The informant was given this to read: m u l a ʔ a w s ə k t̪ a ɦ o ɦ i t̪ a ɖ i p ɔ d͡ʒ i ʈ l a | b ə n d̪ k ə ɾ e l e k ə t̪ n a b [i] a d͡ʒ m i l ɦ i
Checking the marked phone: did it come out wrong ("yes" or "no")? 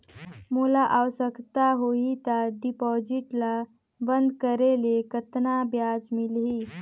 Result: yes